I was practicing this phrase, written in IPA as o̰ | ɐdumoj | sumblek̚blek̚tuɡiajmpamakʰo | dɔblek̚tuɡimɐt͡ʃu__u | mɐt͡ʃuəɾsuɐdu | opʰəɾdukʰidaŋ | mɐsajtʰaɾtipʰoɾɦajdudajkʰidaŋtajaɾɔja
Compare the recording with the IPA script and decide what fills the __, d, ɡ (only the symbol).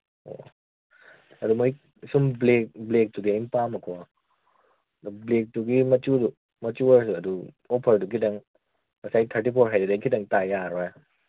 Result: d